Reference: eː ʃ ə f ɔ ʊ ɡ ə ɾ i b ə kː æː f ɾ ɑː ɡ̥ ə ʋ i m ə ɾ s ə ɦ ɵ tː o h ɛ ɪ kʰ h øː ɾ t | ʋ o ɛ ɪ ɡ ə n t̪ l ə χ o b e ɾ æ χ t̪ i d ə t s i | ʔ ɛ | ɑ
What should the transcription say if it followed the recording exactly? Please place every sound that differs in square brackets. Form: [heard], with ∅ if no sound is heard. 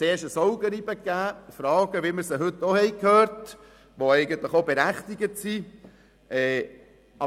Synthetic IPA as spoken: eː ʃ ə [s] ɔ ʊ ɡ ə ɾ i b ə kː æː f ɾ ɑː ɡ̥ ə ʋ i m ə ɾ s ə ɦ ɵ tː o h ɛ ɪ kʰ h øː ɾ t | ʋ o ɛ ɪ ɡ ə n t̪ l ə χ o b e ɾ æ χ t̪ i [ɡ] ə t s i | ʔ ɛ | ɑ